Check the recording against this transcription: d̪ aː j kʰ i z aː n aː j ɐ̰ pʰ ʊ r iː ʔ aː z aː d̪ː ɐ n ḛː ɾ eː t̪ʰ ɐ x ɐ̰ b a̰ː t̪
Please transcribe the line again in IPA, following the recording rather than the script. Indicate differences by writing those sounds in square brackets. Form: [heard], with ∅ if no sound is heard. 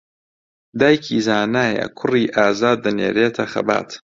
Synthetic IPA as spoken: d̪ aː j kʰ i z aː n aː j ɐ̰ [kʰ] ʊ r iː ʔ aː z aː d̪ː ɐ n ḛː ɾ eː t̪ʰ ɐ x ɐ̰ b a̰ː t̪